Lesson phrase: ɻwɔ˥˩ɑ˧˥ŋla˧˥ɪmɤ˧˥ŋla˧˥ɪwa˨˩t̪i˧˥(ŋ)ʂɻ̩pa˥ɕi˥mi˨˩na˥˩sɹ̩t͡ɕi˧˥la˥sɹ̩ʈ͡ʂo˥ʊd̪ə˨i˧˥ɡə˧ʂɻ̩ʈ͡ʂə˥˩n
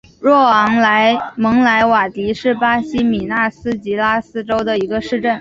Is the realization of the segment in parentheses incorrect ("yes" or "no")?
yes